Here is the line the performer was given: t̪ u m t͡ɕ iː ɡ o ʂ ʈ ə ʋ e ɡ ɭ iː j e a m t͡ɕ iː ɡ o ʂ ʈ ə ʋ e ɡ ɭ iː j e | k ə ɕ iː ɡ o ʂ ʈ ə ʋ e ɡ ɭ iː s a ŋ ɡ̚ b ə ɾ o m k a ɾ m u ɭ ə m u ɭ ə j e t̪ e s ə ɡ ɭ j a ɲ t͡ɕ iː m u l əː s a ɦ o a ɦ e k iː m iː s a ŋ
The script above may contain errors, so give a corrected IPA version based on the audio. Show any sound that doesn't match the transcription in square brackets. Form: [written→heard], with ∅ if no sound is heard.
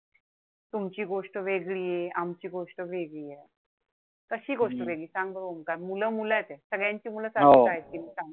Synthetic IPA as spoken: t̪ u m t͡ɕ iː ɡ o ʂ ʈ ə ʋ e ɡ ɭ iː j e a m t͡ɕ iː ɡ o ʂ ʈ ə ʋ e ɡ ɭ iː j e | k ə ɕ iː ɡ o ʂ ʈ ə ʋ e ɡ ɭ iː s a ŋ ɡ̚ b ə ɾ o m k a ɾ m u [ɭ→l] ə m u [ɭ→l] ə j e t̪ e s ə ɡ ɭ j a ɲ t͡ɕ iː m u l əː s a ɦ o a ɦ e k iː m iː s a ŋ